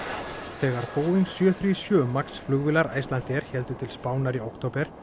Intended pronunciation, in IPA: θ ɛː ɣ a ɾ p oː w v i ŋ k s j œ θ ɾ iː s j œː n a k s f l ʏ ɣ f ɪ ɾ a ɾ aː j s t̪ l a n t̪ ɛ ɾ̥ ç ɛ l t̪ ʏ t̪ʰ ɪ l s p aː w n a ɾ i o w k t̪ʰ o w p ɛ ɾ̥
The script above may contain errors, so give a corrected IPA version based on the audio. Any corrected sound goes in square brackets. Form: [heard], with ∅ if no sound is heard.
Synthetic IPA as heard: θ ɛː ɣ a ɾ p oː w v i ŋ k s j œ θ ɾ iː s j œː [m] a k s f l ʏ ɣ [v] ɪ [l] a ɾ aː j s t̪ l a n t̪ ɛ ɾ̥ ç ɛ l t̪ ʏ t̪ʰ ɪ l s p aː w n a ɾ i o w k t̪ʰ o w p ɛ ɾ̥